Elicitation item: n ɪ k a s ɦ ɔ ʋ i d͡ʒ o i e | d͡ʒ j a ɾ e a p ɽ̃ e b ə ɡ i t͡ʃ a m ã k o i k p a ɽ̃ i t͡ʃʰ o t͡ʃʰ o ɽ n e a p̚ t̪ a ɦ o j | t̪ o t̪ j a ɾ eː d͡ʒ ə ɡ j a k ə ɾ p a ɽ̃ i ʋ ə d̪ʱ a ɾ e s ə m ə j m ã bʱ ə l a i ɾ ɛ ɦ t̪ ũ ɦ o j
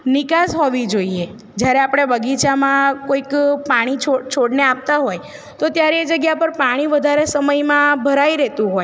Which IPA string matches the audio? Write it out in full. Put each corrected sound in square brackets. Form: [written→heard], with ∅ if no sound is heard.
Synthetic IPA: n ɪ k a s ɦ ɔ ʋ i d͡ʒ o i e | d͡ʒ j a ɾ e a p ɽ̃ e b ə ɡ i t͡ʃ a m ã k o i k p a ɽ̃ i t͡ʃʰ o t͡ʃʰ o ɽ n e a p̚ t̪ a ɦ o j | t̪ o t̪ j a ɾ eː d͡ʒ ə ɡ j a [k→p] ə ɾ p a ɽ̃ i ʋ ə d̪ʱ a ɾ e s ə m ə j m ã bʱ ə [l→ɾ] a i ɾ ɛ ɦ t̪ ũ ɦ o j